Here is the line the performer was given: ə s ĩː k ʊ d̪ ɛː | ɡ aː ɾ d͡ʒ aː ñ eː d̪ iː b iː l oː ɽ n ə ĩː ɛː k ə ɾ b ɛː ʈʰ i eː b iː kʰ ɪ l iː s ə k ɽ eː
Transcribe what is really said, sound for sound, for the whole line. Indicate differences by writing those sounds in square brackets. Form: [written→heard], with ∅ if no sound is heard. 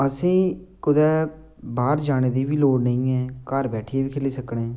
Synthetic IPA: ə s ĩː k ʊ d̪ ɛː | [ɡ→b] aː ɾ d͡ʒ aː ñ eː d̪ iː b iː l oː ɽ n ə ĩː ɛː k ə ɾ b ɛː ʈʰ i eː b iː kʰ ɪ l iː s ə k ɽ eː